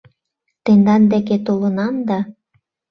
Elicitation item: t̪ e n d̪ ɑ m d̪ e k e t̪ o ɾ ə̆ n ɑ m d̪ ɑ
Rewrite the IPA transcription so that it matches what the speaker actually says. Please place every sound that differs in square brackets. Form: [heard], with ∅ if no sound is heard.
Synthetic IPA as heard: t̪ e n d̪ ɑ [n] d̪ e k e t̪ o [l] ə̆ n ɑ m d̪ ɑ